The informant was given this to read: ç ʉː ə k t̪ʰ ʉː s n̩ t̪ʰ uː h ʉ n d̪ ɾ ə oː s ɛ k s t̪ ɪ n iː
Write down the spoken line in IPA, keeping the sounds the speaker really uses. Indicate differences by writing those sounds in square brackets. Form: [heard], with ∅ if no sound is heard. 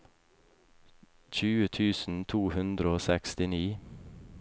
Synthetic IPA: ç ʉː ə [∅] t̪ʰ ʉː s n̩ t̪ʰ uː h ʉ n d̪ ɾ ə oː s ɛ k s t̪ ɪ n iː